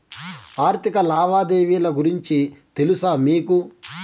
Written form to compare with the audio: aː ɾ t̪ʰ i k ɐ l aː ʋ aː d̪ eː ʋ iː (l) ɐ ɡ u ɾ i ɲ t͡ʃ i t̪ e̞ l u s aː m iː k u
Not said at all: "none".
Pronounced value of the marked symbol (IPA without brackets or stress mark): l